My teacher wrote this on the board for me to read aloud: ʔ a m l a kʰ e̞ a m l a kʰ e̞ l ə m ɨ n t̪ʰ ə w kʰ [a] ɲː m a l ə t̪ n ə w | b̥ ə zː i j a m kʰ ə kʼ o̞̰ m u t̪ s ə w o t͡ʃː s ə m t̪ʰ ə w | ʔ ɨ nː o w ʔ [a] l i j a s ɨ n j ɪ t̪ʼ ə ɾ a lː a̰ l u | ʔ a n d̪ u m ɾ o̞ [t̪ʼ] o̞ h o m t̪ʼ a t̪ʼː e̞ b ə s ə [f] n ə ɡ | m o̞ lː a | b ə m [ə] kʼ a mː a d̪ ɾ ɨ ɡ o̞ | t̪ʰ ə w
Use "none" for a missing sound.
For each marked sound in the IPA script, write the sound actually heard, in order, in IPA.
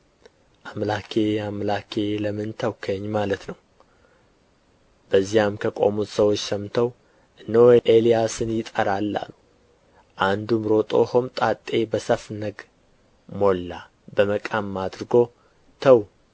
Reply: ə, e, t̪ʼ, f, ə

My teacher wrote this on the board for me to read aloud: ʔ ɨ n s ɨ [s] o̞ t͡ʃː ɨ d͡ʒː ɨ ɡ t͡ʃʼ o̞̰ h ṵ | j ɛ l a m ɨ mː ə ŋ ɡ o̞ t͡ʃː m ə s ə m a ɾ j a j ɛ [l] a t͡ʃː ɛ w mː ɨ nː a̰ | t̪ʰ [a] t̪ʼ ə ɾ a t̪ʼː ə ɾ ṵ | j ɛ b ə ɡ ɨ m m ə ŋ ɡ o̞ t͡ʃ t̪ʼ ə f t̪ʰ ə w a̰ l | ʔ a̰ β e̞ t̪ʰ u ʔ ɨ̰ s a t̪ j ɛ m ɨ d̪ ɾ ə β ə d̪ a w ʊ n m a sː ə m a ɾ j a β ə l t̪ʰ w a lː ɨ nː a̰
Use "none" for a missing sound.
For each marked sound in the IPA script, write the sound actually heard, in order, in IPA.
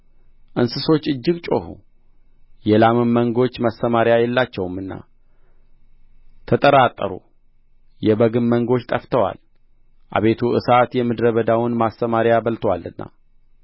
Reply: s, lː, ə

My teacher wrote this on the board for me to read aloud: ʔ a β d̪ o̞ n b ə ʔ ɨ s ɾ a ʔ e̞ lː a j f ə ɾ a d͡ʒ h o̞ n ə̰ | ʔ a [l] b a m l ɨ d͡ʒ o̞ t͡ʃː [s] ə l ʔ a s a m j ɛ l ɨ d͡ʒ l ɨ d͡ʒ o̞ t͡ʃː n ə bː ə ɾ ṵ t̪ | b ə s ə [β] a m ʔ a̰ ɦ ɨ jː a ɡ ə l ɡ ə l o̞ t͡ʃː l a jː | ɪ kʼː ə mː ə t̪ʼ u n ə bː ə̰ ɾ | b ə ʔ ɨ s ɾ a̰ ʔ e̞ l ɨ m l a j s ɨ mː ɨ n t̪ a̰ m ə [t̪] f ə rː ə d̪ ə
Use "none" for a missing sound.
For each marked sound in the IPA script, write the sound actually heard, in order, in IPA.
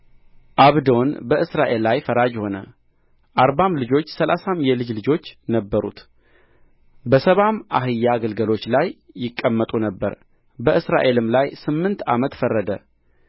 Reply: ɾ, s, β, t̪

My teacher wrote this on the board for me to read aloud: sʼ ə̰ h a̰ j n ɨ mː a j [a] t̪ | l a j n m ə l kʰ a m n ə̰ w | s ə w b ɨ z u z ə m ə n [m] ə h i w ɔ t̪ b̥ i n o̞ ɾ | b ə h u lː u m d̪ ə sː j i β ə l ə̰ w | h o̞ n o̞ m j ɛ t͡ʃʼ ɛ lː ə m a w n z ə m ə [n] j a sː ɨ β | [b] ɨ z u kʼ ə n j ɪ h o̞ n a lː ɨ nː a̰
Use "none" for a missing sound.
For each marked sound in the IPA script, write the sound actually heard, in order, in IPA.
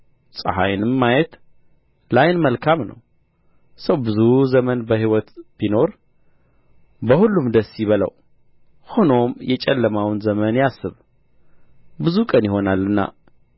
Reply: ɛ, b, n, b

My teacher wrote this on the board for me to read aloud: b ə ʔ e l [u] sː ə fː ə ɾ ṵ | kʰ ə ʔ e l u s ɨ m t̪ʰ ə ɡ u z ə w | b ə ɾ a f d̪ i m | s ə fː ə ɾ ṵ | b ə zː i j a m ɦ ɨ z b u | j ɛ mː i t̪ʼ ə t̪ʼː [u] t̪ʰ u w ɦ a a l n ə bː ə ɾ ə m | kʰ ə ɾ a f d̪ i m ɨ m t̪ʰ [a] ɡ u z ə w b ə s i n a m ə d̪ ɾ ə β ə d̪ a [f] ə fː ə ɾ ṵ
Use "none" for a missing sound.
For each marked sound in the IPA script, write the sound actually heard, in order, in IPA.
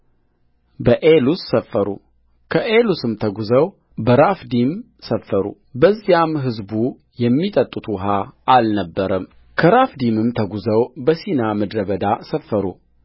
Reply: u, u, ə, s

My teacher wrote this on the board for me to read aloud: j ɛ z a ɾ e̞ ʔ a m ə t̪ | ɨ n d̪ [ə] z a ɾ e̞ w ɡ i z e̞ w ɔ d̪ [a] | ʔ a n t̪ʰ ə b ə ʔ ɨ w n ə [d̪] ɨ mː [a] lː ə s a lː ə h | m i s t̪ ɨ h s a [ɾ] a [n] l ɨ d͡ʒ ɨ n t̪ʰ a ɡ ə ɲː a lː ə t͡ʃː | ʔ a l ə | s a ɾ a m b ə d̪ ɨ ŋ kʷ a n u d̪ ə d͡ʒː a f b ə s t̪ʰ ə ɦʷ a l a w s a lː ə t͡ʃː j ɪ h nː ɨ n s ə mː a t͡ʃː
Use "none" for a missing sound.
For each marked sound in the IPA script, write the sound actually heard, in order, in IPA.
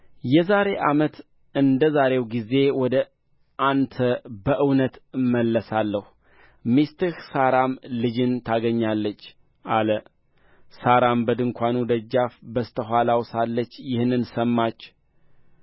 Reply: ə, ə, t̪, ə, ɾ, m

